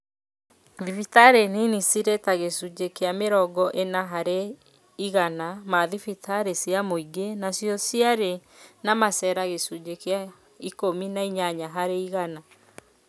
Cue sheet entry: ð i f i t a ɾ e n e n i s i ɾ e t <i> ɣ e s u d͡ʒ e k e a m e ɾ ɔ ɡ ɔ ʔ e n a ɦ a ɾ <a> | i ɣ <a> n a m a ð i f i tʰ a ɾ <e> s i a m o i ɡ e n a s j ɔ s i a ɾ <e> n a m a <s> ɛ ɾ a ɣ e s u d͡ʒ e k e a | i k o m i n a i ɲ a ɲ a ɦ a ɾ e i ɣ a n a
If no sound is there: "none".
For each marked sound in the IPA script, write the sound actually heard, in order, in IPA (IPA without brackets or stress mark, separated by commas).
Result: a, e, a, e, e, s